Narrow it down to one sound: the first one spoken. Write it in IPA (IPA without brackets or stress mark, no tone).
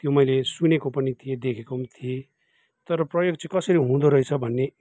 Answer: t̪